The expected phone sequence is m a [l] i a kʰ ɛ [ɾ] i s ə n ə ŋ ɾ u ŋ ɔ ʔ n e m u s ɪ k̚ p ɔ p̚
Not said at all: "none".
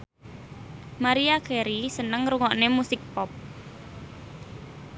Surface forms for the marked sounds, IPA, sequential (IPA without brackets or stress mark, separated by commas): ɾ, ɾ